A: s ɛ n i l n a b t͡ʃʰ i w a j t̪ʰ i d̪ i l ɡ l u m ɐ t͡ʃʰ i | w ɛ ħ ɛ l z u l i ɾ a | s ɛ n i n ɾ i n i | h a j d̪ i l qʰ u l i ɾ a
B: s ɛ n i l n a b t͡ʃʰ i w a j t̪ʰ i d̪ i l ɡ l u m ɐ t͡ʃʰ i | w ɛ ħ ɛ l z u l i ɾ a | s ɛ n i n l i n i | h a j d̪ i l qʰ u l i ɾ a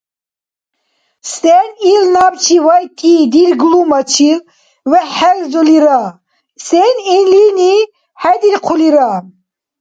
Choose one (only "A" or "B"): B